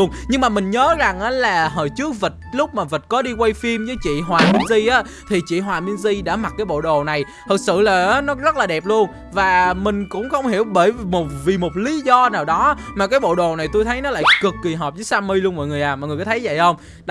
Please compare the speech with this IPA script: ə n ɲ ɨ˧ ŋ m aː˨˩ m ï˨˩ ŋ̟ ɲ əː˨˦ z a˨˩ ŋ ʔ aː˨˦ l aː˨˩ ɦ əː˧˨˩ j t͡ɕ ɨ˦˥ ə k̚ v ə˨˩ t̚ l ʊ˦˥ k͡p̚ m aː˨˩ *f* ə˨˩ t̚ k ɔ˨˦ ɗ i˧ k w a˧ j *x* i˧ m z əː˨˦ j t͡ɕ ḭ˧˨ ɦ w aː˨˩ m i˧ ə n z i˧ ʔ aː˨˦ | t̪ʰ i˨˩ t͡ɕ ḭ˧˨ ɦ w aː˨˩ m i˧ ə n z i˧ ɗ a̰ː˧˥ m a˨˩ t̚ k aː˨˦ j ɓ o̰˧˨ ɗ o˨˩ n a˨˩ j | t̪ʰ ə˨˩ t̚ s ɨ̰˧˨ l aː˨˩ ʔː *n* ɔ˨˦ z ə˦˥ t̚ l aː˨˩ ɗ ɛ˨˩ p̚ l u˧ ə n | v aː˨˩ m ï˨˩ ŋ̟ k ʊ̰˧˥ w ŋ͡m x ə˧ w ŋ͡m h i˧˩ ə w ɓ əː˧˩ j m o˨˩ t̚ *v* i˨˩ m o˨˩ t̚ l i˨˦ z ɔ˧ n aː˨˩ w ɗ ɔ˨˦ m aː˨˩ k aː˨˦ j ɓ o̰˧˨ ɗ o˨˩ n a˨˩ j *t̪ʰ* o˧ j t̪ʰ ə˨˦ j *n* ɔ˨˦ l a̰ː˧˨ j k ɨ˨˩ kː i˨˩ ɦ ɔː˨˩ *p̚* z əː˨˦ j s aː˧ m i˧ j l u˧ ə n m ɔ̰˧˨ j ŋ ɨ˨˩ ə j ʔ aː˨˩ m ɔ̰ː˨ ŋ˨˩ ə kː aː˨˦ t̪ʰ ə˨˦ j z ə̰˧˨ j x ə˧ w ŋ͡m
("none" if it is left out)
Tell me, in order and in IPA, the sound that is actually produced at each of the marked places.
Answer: v, f, n, v, t̪, n, p̚

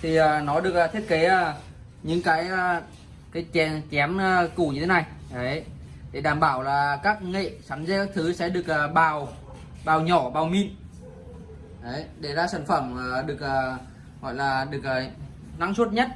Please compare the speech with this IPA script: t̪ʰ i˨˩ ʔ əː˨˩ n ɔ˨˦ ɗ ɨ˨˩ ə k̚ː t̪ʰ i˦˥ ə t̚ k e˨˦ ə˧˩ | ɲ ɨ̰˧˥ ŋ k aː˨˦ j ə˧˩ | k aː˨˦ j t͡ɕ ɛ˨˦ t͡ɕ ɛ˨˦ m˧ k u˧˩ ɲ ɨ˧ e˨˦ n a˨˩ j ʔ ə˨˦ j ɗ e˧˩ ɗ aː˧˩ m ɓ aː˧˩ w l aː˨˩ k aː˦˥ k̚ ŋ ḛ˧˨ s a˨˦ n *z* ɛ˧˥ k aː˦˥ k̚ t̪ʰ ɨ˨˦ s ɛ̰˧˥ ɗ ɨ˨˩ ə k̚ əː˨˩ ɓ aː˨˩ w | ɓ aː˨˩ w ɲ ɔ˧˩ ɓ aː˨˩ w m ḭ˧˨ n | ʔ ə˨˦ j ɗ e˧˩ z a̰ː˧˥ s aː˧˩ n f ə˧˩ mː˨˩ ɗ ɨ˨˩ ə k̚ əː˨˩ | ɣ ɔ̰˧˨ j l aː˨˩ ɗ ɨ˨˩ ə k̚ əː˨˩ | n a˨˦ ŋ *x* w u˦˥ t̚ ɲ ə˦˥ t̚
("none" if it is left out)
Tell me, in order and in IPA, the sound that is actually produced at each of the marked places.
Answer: z, s

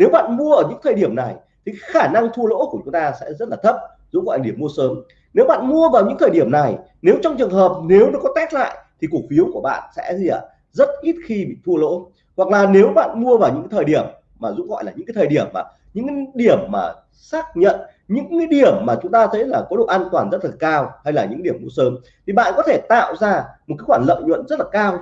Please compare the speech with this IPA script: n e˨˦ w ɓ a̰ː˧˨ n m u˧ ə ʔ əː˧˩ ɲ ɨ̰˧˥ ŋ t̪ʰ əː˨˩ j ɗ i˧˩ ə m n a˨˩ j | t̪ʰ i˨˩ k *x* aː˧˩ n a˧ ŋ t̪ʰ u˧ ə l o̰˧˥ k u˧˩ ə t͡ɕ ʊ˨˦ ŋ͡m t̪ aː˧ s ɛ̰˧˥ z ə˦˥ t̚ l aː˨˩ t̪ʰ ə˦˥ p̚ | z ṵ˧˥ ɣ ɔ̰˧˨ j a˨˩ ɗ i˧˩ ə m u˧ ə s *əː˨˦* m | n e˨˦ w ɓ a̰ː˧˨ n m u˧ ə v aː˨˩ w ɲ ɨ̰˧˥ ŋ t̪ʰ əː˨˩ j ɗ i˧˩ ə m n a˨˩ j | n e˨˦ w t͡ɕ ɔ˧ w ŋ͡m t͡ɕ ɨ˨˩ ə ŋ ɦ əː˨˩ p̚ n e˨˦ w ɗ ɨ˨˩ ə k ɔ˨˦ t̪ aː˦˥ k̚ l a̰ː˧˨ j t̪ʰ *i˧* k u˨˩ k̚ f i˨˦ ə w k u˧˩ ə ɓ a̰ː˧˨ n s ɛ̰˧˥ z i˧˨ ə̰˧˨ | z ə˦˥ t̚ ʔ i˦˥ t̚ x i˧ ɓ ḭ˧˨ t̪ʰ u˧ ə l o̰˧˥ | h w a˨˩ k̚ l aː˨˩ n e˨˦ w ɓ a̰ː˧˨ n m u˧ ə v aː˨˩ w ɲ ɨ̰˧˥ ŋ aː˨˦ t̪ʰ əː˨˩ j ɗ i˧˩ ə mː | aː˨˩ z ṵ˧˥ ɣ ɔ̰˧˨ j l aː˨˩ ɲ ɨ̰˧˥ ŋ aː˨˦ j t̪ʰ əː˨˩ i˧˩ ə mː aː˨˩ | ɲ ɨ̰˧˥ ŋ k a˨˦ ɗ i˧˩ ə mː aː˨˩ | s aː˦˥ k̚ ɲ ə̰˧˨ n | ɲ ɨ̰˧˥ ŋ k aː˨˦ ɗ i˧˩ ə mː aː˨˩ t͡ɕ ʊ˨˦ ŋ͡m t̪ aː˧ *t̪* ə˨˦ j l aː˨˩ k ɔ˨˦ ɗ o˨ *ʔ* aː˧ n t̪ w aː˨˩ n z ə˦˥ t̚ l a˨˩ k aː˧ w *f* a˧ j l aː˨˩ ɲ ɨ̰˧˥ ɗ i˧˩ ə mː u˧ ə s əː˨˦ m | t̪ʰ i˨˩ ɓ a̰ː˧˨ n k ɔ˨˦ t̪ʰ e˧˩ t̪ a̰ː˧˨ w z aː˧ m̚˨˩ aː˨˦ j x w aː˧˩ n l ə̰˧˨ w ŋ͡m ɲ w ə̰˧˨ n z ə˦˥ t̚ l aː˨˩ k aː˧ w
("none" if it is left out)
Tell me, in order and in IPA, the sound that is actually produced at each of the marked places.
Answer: x, əː˨˦, i˨˩, t̪ʰ, ʔ, h

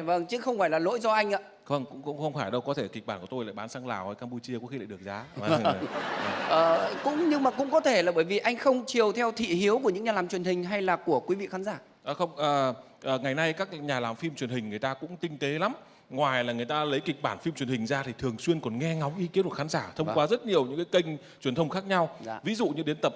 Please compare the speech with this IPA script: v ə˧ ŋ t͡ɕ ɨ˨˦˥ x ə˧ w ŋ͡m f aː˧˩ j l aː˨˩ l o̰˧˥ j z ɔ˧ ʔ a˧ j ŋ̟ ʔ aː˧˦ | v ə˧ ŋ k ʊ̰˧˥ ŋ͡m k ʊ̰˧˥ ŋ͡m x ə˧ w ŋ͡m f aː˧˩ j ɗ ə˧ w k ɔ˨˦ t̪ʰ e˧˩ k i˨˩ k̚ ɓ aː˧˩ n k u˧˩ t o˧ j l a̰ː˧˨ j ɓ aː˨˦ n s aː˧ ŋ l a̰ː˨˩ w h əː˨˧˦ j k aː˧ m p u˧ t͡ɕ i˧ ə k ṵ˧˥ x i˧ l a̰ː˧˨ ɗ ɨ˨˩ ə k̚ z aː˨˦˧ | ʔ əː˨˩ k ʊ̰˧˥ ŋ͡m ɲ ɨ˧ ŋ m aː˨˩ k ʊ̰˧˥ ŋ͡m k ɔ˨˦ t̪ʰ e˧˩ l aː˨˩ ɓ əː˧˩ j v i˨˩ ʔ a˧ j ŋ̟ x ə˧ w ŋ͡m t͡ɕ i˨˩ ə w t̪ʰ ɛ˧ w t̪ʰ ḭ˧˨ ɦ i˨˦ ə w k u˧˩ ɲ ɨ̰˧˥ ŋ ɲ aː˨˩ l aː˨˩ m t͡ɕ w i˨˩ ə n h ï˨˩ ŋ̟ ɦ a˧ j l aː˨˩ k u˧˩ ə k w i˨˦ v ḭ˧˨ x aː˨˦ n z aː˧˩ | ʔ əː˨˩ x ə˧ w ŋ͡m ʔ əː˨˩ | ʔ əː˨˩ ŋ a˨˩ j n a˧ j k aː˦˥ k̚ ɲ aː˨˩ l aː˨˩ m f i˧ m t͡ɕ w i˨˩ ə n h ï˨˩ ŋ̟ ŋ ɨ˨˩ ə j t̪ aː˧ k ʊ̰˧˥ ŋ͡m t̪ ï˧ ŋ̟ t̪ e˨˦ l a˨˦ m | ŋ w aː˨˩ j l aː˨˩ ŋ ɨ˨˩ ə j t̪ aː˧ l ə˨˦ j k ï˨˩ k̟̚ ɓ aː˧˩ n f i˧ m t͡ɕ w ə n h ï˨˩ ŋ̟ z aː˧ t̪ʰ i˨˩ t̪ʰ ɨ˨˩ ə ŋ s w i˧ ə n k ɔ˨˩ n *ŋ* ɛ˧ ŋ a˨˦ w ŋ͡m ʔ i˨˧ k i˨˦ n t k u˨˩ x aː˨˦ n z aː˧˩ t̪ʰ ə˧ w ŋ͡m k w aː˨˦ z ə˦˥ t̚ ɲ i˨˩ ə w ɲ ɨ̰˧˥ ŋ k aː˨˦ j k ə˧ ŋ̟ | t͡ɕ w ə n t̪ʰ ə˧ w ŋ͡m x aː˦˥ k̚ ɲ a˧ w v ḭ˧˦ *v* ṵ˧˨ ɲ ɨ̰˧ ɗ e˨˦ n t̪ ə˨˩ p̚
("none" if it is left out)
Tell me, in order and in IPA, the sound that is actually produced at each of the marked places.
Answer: ŋ, z

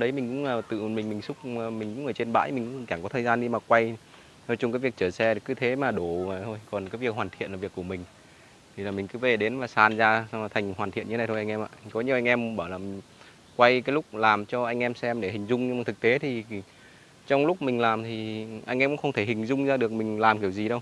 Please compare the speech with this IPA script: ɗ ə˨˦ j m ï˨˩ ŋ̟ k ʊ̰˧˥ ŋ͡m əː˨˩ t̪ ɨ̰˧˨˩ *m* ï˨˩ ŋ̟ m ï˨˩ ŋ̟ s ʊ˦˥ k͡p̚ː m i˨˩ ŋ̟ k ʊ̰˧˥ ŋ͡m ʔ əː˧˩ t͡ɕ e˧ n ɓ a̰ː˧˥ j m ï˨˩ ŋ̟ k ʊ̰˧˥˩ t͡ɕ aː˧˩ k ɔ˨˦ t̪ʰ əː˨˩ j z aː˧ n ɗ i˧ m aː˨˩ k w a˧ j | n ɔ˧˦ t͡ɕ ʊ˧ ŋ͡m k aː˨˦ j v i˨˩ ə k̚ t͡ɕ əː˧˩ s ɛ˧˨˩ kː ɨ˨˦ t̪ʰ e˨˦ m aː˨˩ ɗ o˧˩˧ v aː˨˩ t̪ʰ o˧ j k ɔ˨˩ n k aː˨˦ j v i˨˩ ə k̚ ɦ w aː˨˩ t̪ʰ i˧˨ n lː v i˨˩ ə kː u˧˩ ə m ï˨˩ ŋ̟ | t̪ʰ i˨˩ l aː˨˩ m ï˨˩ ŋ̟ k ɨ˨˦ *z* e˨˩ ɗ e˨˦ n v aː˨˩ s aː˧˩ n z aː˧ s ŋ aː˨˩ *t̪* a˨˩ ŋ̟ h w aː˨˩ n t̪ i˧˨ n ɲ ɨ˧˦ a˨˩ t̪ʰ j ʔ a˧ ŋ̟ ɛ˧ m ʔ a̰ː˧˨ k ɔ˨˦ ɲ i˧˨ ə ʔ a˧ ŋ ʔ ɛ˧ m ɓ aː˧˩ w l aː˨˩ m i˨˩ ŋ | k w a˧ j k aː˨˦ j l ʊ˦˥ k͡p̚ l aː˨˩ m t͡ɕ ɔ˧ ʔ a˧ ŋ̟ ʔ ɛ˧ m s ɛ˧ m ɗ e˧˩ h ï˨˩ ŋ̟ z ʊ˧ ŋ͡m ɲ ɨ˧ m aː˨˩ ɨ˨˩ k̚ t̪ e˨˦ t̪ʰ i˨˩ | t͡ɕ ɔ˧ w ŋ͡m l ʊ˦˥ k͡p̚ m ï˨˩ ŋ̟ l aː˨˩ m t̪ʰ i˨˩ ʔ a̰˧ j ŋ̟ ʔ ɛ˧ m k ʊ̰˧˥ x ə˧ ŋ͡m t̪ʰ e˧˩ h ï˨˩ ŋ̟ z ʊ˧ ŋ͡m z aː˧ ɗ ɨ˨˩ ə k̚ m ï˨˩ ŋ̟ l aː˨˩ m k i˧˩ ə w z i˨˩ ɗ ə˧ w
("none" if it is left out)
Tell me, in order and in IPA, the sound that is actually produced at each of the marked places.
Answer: m, v, t̪ʰ

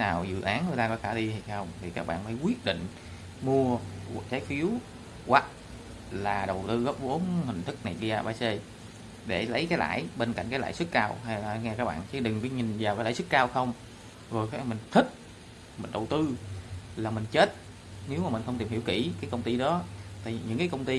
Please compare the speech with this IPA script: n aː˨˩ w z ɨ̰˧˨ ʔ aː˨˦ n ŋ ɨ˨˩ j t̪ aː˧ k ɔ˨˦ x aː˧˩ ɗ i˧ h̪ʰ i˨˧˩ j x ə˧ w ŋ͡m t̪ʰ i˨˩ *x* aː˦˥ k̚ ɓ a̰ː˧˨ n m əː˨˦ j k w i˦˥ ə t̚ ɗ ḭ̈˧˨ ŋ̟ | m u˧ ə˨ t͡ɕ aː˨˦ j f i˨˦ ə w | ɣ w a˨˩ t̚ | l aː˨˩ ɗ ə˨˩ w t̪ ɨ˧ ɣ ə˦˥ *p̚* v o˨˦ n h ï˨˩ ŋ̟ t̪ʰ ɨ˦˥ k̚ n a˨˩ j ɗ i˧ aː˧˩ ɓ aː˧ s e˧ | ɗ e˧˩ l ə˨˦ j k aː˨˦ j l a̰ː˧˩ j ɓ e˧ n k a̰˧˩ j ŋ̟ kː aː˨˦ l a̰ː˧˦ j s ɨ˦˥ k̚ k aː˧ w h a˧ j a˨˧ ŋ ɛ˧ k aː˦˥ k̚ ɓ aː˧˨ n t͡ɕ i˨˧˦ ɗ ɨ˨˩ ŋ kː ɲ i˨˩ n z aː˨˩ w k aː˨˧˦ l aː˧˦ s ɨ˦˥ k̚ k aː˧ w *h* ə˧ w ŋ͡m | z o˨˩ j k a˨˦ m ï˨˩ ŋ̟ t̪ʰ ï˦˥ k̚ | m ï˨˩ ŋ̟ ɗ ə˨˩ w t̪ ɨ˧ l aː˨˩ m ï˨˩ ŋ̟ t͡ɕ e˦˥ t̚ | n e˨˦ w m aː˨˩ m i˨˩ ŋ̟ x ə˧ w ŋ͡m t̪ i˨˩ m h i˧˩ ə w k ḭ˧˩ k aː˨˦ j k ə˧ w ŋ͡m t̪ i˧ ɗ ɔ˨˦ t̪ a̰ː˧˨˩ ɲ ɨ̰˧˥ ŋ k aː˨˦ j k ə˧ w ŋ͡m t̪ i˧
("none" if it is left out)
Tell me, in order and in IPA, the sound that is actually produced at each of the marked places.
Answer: k, p̚, x

